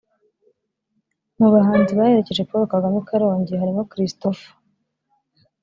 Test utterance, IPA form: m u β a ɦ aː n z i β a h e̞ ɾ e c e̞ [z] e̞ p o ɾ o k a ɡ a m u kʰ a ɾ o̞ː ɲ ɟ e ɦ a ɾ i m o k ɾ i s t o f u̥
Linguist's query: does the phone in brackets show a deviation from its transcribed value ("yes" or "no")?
yes